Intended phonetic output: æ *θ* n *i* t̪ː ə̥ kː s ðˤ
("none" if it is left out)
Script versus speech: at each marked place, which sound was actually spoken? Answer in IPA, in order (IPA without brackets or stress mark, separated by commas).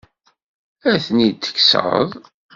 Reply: θ, i